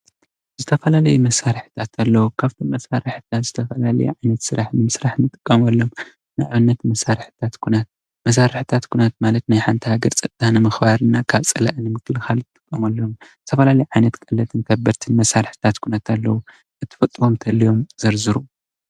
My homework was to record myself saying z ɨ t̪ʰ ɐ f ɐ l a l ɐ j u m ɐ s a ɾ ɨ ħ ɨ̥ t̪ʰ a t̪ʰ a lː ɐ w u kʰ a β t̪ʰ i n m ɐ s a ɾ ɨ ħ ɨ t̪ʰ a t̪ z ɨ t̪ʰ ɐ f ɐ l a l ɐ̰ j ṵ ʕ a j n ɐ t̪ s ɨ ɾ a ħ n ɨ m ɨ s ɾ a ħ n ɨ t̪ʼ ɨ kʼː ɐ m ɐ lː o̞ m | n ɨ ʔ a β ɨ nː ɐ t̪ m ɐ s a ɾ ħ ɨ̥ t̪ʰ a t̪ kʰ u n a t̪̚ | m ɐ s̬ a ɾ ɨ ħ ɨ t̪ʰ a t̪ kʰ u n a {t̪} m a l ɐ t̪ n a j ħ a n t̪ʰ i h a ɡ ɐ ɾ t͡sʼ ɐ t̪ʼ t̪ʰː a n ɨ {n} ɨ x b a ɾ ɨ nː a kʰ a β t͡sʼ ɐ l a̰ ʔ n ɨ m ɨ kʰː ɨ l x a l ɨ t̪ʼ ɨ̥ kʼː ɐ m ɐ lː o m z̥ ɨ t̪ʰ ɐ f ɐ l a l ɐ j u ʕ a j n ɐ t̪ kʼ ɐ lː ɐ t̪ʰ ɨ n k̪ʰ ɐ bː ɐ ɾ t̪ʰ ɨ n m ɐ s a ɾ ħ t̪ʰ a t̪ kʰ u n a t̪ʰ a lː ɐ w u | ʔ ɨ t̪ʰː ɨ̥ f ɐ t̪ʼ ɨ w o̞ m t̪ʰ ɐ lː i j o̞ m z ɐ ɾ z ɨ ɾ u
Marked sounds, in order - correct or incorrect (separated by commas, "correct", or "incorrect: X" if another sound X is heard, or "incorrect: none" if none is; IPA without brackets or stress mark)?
correct, incorrect: m